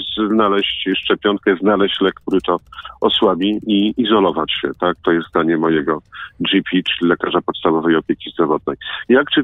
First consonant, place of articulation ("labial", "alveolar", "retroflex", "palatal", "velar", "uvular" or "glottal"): alveolar